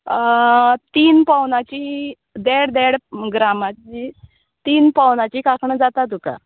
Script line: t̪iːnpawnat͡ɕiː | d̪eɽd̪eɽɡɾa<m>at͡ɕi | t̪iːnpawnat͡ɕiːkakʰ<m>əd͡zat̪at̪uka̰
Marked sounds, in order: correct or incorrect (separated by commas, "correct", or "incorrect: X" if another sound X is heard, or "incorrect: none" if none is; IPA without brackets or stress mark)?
correct, incorrect: ɳ